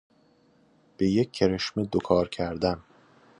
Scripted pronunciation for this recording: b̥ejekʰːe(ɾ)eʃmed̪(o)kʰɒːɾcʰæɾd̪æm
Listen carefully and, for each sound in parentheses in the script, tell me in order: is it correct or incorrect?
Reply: correct, correct

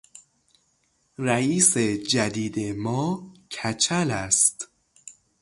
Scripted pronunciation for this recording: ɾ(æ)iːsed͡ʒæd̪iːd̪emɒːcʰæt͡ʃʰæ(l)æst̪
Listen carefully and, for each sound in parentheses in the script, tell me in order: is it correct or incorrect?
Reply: correct, correct

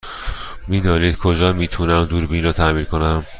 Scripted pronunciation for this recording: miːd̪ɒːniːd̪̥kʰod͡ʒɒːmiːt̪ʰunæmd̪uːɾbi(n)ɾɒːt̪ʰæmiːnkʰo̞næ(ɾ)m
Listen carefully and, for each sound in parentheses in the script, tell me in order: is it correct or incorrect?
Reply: correct, incorrect: none

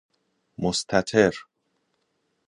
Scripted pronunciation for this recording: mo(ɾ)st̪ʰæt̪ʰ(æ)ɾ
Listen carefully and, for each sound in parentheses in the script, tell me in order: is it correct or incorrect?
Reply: incorrect: none, incorrect: e

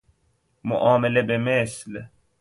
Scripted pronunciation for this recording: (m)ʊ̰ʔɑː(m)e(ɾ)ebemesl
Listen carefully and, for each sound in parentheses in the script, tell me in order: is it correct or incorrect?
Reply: correct, correct, incorrect: l

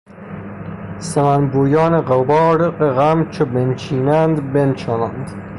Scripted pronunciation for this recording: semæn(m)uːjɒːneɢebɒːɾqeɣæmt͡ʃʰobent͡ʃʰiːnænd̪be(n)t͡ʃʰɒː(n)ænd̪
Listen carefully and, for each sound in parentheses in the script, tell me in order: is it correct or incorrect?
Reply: incorrect: b, correct, correct

